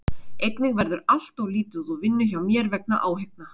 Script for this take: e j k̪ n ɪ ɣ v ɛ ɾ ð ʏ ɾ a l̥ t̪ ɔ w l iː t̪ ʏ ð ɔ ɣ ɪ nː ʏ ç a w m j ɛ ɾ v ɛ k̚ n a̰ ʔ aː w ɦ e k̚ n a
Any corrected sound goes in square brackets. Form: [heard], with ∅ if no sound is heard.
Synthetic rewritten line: e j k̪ n ɪ ɣ v ɛ ɾ ð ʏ ɾ a l̥ t̪ ɔ [ɣ] l iː t̪ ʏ ð ɔ [v] ɪ nː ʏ ç a w m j ɛ ɾ v ɛ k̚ n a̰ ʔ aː w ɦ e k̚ n a